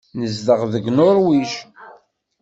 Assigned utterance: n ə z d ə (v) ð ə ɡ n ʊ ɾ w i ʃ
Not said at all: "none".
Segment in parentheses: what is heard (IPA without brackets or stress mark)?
ʁ